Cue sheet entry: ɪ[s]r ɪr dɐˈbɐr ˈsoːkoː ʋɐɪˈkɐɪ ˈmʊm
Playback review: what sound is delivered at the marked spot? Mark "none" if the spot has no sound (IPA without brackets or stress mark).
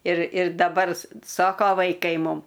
none